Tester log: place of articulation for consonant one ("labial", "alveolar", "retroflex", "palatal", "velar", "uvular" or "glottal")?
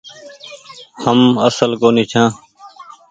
glottal